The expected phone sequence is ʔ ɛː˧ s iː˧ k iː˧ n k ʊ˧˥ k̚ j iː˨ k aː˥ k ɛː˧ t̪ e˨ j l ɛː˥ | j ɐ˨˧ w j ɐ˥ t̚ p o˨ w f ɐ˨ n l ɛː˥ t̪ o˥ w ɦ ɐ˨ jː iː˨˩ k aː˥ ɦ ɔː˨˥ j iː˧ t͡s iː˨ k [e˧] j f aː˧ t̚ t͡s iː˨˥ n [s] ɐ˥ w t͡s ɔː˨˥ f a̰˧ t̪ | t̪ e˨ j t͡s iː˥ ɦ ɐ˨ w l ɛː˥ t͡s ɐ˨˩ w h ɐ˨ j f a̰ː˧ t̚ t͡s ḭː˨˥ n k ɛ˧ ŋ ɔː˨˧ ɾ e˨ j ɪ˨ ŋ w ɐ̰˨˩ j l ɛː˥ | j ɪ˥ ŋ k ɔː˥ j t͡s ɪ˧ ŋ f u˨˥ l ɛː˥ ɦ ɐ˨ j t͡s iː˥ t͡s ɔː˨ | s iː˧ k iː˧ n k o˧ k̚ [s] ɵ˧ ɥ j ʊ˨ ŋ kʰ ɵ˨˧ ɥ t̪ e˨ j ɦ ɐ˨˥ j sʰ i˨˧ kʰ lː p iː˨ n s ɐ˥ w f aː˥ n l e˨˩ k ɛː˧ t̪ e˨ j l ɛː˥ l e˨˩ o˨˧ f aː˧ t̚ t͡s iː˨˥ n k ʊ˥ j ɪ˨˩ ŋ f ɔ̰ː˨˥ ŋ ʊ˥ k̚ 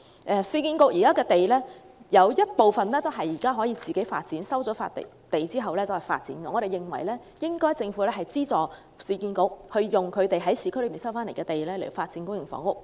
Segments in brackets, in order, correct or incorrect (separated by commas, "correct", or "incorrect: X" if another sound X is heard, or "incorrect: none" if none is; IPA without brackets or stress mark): incorrect: e˨˥, correct, incorrect: h